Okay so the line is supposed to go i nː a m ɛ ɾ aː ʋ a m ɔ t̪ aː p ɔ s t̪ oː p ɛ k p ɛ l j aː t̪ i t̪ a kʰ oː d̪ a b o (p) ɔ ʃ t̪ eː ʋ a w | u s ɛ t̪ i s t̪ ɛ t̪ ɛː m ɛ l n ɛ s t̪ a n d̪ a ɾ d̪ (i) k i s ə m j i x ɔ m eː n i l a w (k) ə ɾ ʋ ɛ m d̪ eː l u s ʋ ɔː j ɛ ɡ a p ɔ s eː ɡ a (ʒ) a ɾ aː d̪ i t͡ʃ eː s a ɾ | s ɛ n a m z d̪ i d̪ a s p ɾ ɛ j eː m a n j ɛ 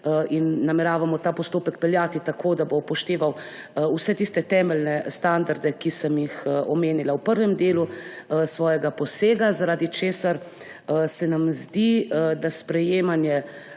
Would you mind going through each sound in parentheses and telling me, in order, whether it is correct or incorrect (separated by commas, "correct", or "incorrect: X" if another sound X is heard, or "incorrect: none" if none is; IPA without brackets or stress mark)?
correct, incorrect: ɛ, incorrect: p, incorrect: z